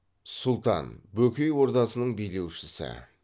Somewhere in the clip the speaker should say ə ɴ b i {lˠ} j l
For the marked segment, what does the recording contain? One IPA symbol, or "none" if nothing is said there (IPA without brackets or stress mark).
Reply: none